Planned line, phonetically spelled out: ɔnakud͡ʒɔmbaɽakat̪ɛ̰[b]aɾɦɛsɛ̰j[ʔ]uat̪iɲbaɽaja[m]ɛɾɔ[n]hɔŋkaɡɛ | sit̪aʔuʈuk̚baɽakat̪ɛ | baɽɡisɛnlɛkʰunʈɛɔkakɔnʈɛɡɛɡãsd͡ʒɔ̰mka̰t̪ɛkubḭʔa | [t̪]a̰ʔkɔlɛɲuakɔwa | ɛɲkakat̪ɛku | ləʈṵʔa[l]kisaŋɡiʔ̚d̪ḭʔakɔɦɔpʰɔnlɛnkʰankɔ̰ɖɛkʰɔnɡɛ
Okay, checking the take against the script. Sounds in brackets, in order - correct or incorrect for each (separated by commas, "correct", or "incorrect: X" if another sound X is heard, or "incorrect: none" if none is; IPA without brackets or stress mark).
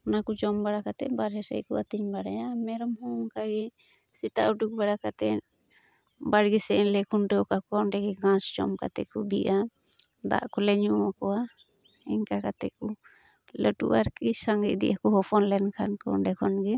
correct, incorrect: k, correct, incorrect: m, incorrect: d̪, incorrect: ɾ